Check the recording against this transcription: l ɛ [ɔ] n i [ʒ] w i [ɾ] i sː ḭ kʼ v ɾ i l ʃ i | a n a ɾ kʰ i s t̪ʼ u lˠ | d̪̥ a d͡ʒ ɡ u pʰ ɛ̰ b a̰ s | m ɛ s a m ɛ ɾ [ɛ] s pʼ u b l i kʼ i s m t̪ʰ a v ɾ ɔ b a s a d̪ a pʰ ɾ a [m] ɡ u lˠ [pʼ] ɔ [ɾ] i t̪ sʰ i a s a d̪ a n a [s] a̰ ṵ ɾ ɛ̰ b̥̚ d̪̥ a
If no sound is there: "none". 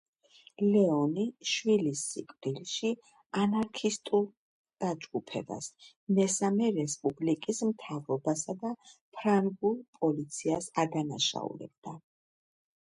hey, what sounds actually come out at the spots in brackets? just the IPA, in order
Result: ɔ, ʃ, l, ɛ, ŋ, pʼ, l, ʃ

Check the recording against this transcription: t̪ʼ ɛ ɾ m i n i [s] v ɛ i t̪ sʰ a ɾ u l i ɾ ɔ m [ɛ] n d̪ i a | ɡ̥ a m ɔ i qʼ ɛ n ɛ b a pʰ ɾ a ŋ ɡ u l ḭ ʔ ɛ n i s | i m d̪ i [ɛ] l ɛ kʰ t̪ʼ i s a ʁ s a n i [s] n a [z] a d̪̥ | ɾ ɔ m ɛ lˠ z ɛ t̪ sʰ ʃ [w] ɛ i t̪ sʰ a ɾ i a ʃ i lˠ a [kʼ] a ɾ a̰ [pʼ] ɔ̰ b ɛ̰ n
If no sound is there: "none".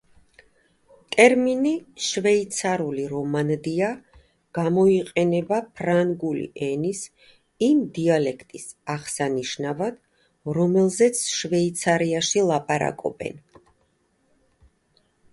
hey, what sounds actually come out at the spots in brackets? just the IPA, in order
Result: ʃ, a, a, ʃ, v, v, pʼ, kʼ

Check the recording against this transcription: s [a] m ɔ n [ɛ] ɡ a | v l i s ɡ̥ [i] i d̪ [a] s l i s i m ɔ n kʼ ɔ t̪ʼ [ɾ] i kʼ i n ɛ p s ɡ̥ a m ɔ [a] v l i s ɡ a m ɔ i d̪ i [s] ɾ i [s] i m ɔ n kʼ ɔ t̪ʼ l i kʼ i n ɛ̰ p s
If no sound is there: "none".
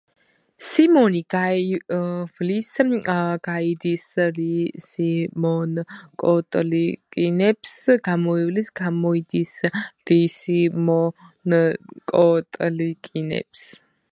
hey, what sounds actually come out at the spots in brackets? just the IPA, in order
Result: i, i, a, i, l, i, s, s

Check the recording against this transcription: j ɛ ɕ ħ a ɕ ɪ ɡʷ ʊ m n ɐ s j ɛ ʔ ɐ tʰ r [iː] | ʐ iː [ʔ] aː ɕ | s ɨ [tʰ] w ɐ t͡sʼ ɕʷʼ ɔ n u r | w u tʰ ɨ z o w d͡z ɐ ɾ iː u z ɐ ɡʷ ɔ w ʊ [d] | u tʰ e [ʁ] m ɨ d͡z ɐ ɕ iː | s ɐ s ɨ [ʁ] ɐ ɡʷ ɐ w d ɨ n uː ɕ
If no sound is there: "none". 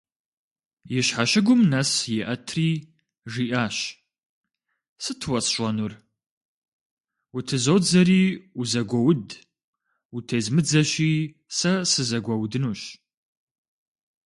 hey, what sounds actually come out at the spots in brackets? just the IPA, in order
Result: iː, ʔ, tʰ, d, z, z

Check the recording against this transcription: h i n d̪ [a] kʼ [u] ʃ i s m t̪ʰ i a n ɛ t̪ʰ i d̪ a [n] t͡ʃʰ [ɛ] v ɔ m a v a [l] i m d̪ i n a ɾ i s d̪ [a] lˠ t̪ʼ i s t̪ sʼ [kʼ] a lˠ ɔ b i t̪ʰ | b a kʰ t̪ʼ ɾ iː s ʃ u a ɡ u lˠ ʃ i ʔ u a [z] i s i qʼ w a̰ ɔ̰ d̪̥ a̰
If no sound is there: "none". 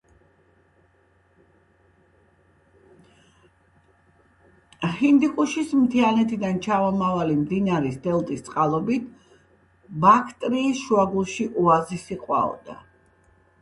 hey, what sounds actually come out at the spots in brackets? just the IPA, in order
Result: i, u, n, a, l, ɛ, qʼ, z

